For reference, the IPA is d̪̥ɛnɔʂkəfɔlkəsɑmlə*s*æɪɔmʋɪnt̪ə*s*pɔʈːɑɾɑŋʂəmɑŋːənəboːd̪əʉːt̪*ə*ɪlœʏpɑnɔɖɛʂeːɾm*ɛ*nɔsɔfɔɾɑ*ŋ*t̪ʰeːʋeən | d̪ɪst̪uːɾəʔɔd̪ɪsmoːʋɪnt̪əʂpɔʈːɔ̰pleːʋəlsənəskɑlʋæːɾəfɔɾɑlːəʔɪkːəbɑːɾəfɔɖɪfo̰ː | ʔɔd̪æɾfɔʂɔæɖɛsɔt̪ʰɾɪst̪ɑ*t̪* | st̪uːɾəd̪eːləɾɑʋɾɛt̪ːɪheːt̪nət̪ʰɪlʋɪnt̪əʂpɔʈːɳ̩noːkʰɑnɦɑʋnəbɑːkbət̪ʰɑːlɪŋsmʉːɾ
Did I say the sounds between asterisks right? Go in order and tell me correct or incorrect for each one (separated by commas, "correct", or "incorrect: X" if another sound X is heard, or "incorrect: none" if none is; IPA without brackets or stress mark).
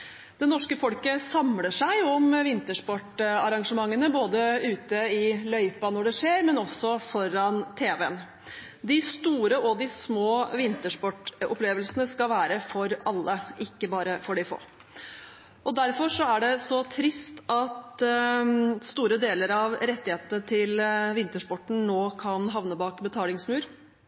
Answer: incorrect: ʂ, incorrect: ʂ, correct, correct, incorrect: n, correct